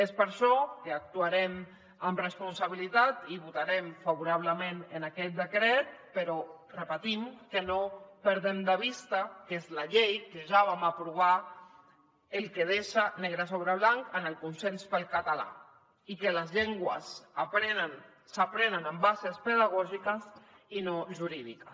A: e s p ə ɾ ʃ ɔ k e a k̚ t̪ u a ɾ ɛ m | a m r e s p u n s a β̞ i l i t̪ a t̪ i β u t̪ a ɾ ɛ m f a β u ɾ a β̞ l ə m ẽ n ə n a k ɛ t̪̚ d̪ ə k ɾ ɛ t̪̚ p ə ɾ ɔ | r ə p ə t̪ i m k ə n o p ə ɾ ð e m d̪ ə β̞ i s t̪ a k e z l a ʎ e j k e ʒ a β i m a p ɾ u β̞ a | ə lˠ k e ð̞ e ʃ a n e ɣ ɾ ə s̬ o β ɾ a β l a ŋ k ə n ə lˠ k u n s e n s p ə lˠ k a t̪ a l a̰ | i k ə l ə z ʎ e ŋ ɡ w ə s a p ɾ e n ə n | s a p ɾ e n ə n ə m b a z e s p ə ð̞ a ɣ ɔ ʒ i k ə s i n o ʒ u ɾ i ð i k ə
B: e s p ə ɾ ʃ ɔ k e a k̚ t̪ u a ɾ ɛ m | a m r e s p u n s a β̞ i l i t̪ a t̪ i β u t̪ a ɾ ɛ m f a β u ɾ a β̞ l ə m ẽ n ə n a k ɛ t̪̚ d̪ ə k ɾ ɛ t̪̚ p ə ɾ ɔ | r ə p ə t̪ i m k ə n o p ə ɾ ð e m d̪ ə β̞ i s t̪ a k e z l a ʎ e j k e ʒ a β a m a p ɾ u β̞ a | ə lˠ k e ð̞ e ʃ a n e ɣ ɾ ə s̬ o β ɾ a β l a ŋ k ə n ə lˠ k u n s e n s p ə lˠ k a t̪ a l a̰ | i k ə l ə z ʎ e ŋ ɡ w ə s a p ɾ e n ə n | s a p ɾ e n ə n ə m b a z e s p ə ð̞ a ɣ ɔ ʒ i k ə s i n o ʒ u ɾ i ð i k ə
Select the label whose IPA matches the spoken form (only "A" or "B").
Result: B